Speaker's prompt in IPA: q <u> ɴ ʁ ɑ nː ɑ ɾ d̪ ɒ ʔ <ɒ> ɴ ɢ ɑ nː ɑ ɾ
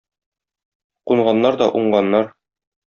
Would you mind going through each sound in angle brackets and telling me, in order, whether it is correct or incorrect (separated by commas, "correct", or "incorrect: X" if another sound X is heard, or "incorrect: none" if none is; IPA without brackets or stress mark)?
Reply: correct, incorrect: u